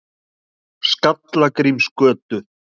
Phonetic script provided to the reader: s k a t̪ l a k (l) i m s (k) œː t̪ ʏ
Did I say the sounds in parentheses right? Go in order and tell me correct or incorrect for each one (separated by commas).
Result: incorrect, correct